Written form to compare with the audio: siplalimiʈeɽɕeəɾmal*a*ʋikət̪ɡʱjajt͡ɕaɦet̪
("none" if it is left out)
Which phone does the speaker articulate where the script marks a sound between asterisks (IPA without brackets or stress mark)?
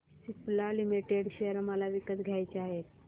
a